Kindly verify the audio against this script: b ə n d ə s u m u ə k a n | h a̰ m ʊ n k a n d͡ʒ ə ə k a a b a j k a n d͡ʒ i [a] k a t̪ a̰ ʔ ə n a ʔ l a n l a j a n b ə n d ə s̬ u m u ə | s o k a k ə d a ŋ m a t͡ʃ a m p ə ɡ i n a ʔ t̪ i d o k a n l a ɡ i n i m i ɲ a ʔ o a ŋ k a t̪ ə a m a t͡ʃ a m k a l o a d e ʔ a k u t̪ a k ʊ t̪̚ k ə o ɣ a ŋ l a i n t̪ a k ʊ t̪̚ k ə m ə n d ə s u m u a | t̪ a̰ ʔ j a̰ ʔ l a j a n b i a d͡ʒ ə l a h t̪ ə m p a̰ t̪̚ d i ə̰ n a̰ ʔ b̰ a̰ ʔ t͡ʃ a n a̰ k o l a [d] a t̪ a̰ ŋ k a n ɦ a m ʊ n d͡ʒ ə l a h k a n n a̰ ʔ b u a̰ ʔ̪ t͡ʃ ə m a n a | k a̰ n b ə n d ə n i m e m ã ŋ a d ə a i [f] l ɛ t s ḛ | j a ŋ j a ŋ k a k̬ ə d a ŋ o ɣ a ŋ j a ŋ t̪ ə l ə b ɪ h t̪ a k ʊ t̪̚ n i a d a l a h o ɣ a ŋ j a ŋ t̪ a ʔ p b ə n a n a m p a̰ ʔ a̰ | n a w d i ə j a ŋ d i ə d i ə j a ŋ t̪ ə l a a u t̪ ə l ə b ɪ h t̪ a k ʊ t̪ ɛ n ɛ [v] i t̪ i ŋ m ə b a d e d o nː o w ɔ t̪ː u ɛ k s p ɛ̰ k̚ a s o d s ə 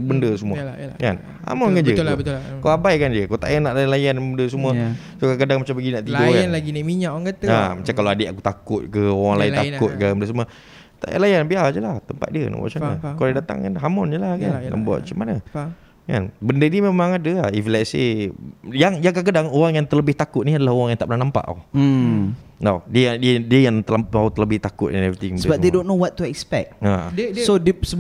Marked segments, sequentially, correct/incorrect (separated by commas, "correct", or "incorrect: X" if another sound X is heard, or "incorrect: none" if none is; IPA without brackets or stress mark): incorrect: ə, correct, correct, correct